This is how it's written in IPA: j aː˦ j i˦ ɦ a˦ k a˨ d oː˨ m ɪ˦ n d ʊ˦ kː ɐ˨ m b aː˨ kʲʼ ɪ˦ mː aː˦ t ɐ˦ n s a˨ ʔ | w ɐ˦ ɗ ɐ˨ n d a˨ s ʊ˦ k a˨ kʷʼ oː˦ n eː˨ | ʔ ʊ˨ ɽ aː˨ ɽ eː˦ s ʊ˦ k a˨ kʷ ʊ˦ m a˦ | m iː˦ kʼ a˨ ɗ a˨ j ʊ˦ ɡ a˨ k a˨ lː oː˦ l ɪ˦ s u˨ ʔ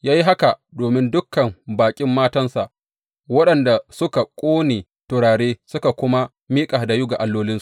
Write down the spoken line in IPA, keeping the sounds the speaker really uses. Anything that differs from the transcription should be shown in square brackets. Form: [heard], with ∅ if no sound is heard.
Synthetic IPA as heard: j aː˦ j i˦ ɦ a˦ k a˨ d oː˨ m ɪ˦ n d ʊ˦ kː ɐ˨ m b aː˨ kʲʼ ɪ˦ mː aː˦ t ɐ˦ n s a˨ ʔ | w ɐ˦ ɗ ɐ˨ n d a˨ s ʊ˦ k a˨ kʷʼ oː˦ n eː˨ | [t] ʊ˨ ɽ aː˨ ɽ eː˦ s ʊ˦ k a˨ kʷ ʊ˦ m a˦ | m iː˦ kʼ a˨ [d] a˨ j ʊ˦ ɡ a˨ [ʔ] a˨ lː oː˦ l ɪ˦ s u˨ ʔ